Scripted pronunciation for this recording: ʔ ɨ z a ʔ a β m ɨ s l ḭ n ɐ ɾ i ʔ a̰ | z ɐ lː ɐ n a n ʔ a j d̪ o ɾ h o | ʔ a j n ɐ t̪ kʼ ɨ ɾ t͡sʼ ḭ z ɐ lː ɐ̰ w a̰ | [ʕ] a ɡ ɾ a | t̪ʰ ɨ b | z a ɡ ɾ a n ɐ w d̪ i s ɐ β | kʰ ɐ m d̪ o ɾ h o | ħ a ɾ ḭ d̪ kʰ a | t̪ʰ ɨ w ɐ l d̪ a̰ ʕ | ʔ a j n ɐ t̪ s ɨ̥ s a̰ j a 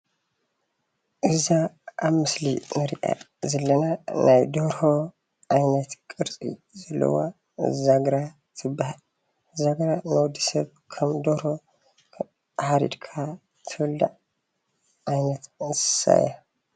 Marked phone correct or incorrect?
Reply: incorrect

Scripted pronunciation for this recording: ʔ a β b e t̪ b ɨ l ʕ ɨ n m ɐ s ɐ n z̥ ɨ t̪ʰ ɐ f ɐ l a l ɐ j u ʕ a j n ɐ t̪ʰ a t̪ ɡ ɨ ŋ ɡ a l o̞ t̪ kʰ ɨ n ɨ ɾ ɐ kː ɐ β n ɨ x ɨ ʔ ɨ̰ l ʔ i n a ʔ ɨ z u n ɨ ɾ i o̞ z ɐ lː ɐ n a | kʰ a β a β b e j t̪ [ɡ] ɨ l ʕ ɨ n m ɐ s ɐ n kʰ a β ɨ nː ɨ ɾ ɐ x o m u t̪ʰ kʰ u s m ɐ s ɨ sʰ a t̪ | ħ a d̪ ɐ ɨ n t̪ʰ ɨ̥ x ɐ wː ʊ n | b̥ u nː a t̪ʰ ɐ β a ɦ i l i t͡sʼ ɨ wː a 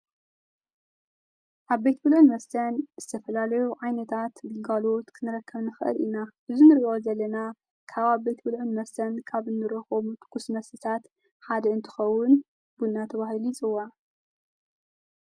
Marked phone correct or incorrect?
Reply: incorrect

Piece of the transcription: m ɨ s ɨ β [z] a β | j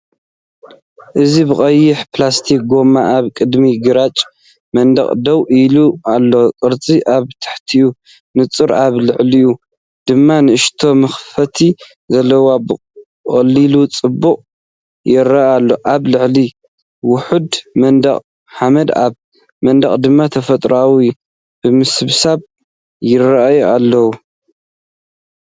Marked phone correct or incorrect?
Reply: incorrect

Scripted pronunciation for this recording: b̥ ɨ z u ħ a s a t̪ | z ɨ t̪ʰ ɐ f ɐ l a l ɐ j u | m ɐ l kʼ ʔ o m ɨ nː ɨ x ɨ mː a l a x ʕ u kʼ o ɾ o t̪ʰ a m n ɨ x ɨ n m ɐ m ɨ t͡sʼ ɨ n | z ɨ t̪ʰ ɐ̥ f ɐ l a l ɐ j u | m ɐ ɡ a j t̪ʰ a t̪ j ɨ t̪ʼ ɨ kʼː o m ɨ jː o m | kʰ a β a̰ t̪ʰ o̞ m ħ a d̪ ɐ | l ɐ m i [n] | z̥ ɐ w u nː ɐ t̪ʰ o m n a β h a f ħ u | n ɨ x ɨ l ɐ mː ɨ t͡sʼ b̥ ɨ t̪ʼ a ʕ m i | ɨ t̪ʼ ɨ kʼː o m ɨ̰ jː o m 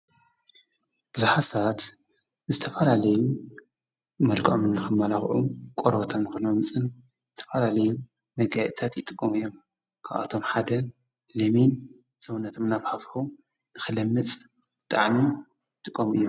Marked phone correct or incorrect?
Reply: correct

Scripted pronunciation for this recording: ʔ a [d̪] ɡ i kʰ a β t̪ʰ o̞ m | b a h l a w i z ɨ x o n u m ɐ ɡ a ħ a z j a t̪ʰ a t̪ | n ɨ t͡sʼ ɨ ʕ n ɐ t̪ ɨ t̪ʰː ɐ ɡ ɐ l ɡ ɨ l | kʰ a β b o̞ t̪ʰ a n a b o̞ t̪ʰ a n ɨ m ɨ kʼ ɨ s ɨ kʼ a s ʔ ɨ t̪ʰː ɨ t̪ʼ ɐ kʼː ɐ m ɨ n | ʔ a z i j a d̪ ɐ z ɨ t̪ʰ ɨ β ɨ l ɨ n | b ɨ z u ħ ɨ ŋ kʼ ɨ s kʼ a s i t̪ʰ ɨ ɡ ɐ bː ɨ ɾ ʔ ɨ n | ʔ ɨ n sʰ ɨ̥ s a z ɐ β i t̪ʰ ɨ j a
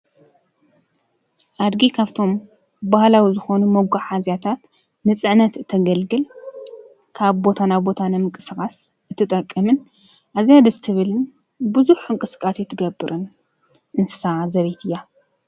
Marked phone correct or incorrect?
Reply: correct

